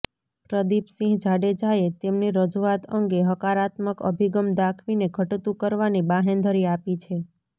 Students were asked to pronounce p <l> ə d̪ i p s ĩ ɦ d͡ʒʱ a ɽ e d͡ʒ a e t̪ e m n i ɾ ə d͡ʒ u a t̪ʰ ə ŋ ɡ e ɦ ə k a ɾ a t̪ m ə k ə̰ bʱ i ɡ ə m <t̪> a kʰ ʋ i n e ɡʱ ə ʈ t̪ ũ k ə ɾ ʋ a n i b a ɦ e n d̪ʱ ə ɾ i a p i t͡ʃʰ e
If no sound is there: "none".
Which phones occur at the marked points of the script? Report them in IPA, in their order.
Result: ɾ, d̪

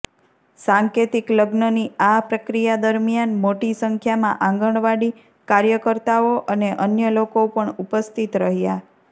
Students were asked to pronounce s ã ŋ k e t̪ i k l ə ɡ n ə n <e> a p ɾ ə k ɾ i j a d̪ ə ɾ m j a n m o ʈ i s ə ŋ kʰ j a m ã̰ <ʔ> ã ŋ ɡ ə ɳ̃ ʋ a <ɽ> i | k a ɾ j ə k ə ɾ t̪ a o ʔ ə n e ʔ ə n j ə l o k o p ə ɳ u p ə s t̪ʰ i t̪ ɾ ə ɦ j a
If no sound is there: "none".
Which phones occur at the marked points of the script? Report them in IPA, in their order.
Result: i, ʔ, ɽ

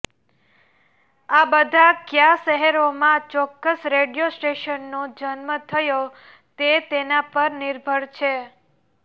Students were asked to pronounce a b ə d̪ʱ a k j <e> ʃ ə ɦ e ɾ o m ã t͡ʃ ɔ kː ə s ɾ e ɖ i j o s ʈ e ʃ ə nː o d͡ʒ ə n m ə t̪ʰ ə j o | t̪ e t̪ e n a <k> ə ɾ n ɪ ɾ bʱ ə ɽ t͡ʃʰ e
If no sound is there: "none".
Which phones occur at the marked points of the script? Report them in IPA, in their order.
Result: a, p

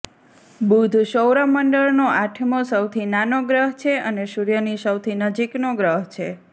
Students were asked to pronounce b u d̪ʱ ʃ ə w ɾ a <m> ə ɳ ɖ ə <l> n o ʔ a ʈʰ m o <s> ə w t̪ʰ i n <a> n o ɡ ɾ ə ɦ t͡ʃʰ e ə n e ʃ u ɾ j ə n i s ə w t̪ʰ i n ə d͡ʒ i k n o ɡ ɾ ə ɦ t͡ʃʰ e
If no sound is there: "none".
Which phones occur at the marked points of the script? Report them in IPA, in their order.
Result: m, ɭ, s, a

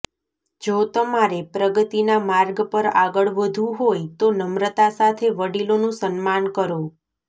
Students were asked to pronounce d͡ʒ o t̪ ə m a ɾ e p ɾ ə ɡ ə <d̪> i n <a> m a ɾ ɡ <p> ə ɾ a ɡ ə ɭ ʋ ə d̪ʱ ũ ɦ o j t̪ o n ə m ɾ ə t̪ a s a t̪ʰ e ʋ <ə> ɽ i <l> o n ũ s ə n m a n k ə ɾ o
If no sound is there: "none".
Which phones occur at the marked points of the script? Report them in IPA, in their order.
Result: t̪, a, p, ə, l

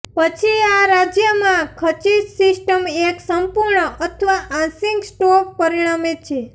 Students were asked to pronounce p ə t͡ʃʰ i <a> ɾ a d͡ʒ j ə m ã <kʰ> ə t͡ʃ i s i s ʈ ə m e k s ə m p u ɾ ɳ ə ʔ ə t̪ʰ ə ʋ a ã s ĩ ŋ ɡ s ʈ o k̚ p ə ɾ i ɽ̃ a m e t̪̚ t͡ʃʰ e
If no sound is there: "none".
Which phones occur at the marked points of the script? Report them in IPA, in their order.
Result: a, kʰ

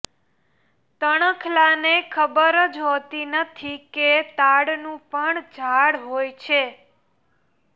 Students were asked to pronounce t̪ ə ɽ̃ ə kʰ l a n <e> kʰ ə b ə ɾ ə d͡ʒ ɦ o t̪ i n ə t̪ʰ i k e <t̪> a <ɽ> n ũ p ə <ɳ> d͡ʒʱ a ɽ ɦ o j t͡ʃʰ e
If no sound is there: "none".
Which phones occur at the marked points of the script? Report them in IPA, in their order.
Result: e, t̪, ɽ, ɳ

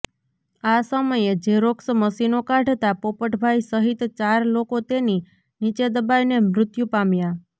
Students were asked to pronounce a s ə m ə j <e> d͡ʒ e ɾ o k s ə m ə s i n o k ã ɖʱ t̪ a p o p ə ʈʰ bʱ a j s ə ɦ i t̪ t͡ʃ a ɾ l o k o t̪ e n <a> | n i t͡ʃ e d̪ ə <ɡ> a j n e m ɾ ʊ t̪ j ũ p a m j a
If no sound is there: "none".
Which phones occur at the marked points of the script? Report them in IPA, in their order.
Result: e, i, b

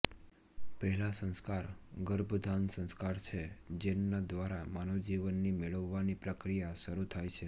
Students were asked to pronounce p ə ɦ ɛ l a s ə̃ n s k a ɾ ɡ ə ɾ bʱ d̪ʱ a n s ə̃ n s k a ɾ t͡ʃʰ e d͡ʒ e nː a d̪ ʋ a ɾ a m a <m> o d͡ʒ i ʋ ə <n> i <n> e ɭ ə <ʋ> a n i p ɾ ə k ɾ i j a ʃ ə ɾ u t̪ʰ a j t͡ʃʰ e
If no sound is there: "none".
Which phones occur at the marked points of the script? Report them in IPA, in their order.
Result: n, nː, m, ʋː

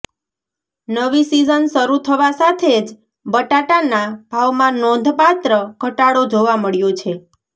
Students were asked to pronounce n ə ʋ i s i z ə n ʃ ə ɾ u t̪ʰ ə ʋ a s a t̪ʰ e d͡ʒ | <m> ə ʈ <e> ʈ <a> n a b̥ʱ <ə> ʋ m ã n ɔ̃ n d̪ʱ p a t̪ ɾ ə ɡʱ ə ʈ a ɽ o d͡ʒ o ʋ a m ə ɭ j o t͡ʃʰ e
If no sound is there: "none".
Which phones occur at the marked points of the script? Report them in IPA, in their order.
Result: b, a, a, a

